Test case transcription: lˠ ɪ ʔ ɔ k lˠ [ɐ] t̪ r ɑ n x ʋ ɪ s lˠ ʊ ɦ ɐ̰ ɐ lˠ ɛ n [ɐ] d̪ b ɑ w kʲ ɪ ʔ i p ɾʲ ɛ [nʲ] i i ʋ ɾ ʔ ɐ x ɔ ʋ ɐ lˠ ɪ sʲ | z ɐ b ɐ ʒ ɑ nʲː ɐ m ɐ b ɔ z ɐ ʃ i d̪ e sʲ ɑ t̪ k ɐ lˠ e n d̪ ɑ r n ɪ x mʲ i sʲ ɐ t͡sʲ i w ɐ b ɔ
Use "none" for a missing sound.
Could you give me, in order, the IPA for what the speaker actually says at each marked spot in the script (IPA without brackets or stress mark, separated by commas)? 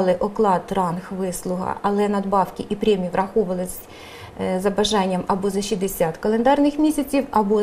ɑ, ɐ, mʲ